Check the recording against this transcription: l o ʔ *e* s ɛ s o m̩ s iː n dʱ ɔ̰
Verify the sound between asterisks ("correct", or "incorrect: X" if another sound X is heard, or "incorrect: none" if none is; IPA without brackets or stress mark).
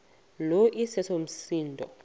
incorrect: i